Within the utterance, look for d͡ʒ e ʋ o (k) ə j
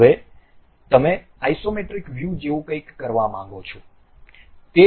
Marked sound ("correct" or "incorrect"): correct